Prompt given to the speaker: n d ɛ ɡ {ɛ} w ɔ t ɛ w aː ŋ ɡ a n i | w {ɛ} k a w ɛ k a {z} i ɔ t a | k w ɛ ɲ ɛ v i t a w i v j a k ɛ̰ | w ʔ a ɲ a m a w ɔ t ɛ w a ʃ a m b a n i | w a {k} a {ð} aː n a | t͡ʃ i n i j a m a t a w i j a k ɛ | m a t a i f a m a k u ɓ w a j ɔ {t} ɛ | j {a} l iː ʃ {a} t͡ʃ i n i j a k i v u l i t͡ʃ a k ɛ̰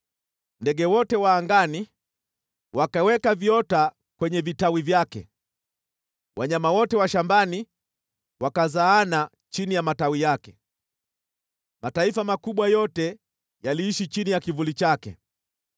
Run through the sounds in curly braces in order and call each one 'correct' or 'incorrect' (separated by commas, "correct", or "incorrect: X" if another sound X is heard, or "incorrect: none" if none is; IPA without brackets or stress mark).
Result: correct, incorrect: a, incorrect: v, correct, incorrect: z, correct, correct, incorrect: i